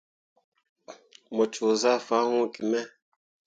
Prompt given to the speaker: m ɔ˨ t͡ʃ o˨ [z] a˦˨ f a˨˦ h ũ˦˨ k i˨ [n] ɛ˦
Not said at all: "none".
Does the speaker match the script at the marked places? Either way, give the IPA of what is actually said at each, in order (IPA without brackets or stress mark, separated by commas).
z, m